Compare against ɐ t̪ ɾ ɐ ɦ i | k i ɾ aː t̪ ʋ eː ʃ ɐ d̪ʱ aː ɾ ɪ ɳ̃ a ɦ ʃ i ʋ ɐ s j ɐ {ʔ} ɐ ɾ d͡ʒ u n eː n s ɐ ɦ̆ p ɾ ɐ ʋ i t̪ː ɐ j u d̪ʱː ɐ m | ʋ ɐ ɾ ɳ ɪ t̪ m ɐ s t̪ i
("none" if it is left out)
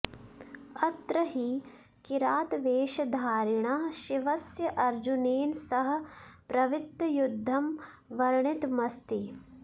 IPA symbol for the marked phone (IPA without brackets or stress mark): ʔ